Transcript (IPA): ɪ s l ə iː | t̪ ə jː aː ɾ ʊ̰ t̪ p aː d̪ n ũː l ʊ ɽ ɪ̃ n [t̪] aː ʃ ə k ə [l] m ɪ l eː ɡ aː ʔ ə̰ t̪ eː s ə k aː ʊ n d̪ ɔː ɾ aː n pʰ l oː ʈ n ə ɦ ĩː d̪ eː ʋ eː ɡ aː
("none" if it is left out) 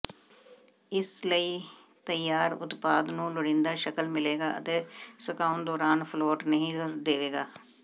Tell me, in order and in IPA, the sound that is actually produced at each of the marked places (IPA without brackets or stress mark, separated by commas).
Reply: d̪, l